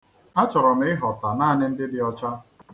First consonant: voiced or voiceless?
voiceless